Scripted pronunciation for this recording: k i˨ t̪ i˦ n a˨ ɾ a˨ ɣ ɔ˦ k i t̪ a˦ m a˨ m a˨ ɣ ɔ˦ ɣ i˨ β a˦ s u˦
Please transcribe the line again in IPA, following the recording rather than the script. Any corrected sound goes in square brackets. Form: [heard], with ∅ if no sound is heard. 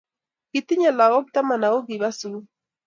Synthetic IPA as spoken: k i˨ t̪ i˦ [ɲ] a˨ [l] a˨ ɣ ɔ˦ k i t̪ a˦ m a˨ [n] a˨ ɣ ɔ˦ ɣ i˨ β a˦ s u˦